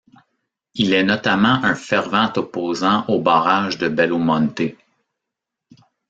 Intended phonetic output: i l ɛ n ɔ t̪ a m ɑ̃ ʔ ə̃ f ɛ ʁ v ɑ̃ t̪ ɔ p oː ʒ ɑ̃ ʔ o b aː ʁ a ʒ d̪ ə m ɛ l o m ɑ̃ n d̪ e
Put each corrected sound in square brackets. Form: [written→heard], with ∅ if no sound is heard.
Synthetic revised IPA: i l ɛ n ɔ t̪ a m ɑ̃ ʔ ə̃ f ɛ ʁ v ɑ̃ t̪ ɔ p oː [ʒ→z] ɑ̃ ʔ o b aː ʁ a ʒ d̪ ə [m→b] ɛ l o m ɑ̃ n [d̪→t̪] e